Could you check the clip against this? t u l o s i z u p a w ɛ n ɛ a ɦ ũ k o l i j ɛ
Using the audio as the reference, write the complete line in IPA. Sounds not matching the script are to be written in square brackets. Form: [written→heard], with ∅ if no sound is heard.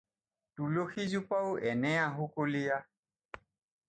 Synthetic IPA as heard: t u l o [s→x] i z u p a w ɛ n ɛ a ɦ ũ k o l i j [ɛ→a]